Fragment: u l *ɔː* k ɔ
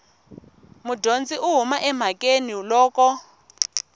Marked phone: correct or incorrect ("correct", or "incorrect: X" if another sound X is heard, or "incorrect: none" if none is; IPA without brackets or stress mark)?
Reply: correct